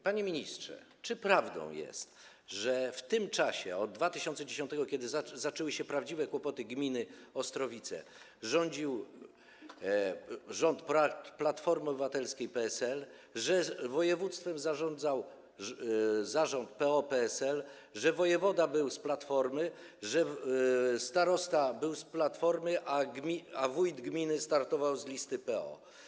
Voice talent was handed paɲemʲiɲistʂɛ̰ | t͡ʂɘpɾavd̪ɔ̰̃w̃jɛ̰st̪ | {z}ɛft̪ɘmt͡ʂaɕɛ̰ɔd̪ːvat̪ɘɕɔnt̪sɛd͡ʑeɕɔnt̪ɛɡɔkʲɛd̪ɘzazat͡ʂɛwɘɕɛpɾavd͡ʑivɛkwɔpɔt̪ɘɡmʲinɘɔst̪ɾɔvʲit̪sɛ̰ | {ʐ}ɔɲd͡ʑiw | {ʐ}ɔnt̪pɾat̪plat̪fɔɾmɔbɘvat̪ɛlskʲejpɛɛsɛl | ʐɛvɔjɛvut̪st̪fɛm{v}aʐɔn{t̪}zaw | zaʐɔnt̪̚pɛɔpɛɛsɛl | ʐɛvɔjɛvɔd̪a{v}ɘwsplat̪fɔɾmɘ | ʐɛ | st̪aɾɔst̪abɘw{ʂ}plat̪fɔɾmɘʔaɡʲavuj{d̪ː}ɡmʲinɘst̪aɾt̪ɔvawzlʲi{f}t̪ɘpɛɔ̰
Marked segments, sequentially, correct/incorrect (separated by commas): incorrect, correct, correct, incorrect, incorrect, incorrect, incorrect, incorrect, incorrect